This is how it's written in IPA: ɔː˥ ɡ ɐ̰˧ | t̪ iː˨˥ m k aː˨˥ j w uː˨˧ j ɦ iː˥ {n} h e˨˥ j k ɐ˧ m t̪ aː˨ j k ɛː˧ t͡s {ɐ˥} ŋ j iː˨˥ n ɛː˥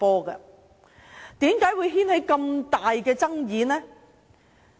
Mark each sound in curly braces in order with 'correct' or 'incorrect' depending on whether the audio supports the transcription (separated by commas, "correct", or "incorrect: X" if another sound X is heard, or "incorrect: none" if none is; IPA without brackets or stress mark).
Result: correct, correct